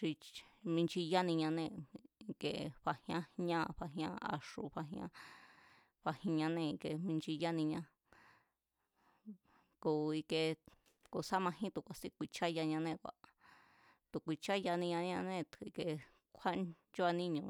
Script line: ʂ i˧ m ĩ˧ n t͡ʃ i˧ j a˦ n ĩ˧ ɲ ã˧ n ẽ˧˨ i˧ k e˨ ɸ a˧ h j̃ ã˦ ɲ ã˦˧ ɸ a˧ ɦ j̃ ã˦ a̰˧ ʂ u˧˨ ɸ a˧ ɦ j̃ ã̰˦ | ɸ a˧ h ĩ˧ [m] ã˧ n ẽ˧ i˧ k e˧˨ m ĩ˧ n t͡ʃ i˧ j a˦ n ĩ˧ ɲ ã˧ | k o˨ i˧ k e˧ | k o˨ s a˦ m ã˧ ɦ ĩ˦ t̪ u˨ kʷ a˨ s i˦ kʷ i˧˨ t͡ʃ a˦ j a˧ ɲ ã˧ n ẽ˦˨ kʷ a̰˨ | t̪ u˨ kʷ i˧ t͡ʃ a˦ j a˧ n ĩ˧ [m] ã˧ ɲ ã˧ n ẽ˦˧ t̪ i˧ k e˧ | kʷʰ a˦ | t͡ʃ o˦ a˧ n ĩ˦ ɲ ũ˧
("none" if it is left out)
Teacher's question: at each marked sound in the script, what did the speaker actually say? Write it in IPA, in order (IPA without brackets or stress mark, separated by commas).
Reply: ɲ, ɲ